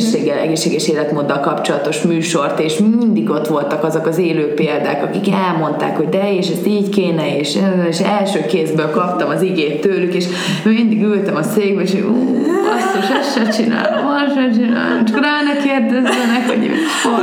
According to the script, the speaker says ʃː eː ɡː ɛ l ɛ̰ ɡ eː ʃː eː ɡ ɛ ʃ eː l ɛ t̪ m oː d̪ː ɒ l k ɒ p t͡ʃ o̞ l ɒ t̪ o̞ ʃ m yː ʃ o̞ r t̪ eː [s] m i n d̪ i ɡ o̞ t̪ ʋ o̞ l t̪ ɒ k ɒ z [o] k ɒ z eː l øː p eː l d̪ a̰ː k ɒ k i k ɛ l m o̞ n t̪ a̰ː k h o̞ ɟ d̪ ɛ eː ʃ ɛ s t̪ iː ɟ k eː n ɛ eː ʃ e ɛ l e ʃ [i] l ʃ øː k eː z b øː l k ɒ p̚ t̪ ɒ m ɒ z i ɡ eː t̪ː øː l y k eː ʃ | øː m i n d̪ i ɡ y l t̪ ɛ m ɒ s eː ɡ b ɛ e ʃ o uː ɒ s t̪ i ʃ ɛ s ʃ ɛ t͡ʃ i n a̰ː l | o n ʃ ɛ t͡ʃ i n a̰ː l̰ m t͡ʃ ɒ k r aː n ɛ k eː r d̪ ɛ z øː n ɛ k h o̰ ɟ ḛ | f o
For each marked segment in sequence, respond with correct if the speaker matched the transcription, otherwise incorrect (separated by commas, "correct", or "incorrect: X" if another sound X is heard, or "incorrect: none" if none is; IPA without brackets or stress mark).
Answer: incorrect: ʃ, correct, incorrect: ɛ